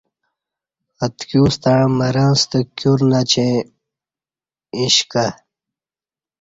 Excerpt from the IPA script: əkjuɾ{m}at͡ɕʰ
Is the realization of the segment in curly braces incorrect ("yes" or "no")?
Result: yes